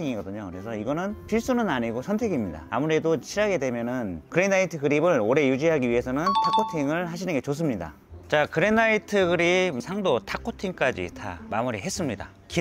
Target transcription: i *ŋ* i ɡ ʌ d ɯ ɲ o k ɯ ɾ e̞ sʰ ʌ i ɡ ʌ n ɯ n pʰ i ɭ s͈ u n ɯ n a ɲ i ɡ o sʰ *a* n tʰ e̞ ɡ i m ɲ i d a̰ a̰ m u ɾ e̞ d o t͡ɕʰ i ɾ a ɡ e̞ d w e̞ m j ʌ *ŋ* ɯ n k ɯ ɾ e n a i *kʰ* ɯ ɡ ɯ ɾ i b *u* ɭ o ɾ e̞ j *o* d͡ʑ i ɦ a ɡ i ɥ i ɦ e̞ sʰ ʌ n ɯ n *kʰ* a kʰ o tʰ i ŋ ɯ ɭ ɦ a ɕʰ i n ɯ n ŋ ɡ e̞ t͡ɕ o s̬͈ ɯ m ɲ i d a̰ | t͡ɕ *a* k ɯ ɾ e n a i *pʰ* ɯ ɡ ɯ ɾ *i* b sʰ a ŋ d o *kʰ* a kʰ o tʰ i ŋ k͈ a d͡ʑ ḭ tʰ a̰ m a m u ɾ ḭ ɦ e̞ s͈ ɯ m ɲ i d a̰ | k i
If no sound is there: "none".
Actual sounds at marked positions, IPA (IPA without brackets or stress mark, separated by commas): ŋ, ʌ, n, tʰ, ɯ, u, tʰ, a, tʰ, i, tʰ